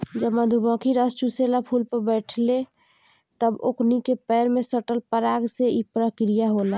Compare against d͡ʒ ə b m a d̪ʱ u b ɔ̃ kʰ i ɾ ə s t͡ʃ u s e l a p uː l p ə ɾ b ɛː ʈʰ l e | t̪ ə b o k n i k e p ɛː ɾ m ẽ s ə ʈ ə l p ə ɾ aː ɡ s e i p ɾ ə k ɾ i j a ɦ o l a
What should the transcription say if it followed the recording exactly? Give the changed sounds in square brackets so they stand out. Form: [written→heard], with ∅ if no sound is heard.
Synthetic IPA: d͡ʒ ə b m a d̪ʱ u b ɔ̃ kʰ i ɾ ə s t͡ʃ u s e l a [p→pʰ] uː l p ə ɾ b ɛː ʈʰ l e | t̪ ə b o k n i k e p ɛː ɾ m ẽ s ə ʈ ə l p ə ɾ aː ɡ s e i p ɾ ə k ɾ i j a ɦ o l a